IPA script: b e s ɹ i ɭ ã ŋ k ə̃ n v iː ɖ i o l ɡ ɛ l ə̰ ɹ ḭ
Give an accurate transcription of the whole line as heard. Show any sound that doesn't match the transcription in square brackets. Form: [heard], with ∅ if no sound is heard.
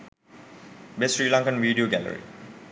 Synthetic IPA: b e s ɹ i [l] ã ŋ k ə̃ n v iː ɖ i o [∅] ɡ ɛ l ə̰ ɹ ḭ